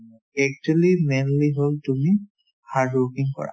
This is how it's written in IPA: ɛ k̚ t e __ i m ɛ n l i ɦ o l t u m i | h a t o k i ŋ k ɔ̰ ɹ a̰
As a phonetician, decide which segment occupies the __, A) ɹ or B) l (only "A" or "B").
B